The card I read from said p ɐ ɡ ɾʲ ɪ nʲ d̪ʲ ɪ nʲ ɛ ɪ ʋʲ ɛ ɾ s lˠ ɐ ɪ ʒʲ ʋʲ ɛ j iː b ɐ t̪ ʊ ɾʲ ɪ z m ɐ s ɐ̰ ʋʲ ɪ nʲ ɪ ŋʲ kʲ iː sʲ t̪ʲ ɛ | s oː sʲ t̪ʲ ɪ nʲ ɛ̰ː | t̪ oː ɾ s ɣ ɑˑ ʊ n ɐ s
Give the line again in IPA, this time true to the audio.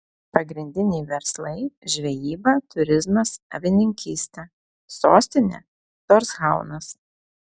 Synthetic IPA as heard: p ɐ ɡ ɾʲ ɪ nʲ d̪ʲ ɪ nʲ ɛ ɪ ʋʲ ɛ ɾ s lˠ ɐ ɪ ʒʲ ʋʲ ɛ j iː b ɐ t̪ ʊ ɾʲ ɪ z m ɐ s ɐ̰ ʋʲ ɪ nʲ ɪ ŋʲ kʲ iː sʲ t̪ʲ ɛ | s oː sʲ t̪ʲ ɪ nʲ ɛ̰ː | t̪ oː ɾ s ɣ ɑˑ ʊ n ɐ s